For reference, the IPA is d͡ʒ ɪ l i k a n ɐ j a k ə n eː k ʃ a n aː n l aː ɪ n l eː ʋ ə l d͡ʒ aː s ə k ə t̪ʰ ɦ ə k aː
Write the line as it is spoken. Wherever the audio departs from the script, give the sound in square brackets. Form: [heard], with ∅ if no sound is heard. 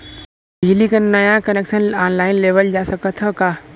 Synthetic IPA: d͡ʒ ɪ l i k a n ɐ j a k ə n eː k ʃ [ə] n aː n l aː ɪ n l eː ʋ ə l d͡ʒ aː s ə k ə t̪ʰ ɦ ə k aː